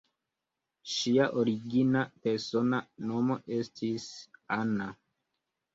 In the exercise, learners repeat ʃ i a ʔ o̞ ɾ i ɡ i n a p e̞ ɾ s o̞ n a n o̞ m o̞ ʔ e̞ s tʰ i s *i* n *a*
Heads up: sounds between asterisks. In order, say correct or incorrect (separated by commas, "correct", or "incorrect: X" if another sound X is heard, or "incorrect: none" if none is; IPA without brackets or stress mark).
incorrect: a, correct